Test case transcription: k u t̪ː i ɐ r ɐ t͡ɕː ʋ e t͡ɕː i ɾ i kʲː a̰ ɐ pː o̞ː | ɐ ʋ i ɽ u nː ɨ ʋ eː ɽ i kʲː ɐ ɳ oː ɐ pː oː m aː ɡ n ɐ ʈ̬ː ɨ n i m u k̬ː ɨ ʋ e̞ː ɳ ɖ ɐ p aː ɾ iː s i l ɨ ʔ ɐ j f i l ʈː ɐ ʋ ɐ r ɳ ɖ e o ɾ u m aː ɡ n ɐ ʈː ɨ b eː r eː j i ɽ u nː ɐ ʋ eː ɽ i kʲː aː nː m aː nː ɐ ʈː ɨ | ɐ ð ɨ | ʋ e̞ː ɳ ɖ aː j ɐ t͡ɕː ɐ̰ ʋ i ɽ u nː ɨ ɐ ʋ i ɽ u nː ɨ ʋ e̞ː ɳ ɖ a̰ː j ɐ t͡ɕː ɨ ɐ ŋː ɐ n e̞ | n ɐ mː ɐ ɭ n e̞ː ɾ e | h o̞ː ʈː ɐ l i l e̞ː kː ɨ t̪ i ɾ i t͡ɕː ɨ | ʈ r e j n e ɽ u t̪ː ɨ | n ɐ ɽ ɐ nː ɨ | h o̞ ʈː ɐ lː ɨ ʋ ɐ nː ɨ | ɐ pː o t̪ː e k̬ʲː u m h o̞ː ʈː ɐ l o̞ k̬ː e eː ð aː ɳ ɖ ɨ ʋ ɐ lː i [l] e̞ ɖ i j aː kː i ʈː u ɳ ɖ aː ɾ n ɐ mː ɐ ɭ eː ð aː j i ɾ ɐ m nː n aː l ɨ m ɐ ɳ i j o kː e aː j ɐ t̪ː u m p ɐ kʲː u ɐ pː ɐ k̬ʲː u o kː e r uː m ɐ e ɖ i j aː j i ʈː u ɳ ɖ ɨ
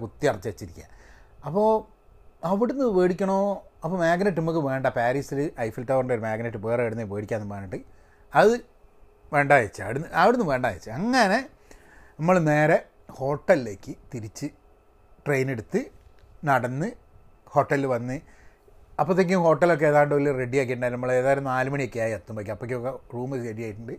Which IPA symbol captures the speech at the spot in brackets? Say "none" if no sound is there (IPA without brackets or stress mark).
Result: r